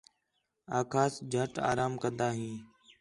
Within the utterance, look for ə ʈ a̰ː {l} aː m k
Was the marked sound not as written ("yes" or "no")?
yes